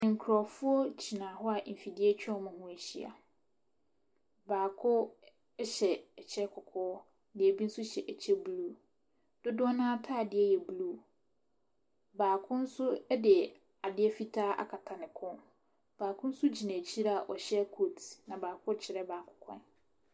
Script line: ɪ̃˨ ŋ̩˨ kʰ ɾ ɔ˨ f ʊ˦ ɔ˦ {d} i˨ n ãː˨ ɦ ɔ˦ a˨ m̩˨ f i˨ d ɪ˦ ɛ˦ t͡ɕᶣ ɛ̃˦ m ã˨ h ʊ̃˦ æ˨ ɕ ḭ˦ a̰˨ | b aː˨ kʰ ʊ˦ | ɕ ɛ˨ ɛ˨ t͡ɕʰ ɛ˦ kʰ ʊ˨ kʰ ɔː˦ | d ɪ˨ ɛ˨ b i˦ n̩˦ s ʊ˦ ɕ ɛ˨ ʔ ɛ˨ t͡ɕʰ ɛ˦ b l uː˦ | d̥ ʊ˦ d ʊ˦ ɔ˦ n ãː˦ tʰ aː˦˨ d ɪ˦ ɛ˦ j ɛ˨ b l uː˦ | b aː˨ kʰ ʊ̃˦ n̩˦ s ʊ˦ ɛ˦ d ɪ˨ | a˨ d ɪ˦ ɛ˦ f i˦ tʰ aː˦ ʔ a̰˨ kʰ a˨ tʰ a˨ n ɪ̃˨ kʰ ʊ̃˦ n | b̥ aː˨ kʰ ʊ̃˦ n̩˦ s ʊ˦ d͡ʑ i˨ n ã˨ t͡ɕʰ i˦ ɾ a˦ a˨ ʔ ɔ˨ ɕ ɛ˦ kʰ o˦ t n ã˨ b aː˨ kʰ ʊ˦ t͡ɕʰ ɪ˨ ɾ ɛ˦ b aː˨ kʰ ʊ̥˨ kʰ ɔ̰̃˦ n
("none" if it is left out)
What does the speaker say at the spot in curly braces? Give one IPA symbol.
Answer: d͡ʑ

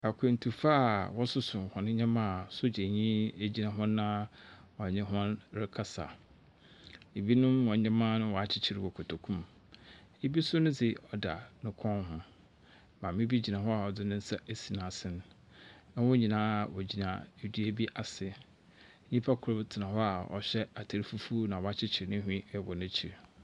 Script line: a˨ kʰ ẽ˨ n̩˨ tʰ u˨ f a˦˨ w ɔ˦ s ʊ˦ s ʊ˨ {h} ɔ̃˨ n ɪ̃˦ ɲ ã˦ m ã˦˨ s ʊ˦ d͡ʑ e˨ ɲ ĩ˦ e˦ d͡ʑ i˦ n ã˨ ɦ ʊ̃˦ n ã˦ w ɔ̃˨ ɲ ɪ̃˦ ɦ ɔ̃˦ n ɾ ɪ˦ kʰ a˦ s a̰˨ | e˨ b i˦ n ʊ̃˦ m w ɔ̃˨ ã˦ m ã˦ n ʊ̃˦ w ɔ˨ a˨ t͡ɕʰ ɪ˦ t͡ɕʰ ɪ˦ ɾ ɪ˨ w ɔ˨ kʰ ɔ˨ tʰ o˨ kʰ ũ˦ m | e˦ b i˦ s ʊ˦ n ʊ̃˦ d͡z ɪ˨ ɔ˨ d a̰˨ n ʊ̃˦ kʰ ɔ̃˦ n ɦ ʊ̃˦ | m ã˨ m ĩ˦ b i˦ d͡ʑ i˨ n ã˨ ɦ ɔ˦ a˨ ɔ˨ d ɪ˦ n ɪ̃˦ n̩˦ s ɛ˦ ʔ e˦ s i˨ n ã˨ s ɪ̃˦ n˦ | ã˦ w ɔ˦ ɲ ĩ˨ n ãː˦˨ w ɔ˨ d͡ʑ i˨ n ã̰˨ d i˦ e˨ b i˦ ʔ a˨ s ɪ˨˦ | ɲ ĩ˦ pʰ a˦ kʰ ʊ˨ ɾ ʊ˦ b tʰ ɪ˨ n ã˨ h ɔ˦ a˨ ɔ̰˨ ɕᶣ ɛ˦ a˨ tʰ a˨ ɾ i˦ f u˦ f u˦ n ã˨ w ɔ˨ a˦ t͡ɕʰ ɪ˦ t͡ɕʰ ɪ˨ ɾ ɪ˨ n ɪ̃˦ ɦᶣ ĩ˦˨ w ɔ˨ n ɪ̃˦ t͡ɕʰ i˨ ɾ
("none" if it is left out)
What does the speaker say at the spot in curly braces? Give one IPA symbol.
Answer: h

